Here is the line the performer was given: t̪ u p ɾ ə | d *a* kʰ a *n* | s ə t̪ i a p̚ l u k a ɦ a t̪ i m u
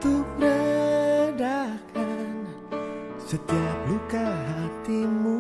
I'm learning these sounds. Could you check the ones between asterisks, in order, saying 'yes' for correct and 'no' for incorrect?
yes, yes

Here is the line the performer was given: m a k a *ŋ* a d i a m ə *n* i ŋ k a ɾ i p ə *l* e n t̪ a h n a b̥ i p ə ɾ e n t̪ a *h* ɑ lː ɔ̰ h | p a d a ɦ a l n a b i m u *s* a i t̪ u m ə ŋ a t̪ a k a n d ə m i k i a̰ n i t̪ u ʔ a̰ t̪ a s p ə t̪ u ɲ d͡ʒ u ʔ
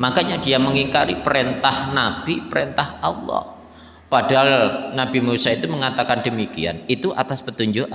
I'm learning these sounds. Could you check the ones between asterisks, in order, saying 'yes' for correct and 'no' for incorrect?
no, no, no, yes, yes

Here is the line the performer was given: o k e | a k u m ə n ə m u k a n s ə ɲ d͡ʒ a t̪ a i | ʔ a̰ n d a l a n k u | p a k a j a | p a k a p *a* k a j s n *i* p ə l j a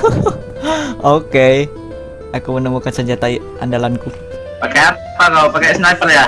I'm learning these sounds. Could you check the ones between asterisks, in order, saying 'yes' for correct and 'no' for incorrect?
yes, no

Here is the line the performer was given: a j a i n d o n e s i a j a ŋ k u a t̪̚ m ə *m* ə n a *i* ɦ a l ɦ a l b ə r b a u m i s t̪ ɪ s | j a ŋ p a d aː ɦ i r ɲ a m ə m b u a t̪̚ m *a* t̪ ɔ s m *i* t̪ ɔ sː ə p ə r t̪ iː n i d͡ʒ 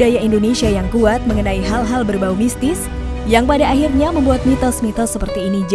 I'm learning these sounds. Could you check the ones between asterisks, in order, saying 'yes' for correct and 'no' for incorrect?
no, yes, no, yes

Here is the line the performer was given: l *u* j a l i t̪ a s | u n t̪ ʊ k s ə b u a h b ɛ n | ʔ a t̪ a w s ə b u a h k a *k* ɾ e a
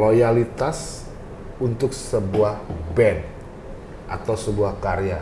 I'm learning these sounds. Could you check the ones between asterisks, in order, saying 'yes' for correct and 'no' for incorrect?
no, no

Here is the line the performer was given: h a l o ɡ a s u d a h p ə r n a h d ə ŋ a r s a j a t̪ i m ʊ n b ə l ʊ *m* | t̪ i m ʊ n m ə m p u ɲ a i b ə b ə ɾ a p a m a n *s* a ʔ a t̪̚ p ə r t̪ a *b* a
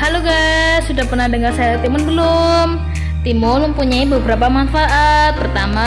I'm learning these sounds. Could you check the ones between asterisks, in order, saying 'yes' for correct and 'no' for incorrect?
yes, no, no

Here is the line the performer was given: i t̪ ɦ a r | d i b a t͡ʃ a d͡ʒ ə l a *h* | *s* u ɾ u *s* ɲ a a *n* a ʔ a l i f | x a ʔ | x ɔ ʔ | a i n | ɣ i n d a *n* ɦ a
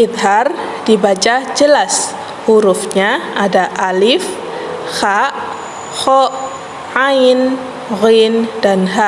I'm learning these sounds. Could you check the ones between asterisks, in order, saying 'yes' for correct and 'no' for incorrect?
no, no, no, no, yes

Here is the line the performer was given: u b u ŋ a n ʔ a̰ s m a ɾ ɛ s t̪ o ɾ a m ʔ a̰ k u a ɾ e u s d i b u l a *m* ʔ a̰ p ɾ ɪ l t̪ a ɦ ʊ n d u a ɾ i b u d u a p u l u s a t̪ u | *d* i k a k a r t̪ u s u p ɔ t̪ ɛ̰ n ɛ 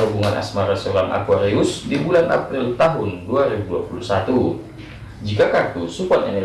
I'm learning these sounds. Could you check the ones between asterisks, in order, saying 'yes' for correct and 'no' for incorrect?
no, no

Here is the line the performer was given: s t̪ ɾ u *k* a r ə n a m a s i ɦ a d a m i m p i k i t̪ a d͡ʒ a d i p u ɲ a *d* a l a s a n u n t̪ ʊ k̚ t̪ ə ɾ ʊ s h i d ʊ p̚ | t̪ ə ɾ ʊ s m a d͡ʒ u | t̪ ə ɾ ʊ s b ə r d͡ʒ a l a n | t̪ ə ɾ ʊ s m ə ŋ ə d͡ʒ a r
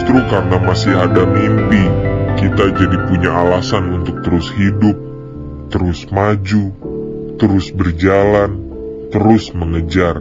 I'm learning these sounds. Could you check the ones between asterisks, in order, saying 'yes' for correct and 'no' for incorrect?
yes, no

